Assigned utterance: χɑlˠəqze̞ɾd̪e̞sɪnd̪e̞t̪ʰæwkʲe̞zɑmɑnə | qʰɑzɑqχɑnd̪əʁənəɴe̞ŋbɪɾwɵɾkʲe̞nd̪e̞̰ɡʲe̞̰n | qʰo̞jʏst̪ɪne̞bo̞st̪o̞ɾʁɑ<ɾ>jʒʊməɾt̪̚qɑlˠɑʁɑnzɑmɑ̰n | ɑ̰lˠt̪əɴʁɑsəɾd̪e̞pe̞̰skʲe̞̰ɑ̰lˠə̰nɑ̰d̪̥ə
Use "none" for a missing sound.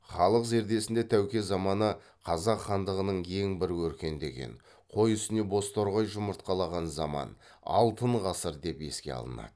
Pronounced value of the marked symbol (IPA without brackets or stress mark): none